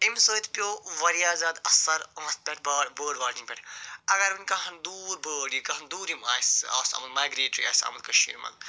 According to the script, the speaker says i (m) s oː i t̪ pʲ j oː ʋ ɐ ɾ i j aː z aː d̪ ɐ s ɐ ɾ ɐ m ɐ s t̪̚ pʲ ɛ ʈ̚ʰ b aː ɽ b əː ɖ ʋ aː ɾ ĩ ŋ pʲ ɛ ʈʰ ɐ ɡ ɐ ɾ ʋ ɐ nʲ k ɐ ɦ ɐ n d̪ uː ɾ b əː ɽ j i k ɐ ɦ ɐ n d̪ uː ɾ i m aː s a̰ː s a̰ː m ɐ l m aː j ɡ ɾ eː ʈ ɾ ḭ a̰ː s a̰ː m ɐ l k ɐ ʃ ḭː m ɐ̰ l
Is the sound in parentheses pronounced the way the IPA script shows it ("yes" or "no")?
yes